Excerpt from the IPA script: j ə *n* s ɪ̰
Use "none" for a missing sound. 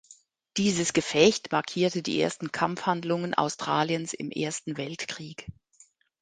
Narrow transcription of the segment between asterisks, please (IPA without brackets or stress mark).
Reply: n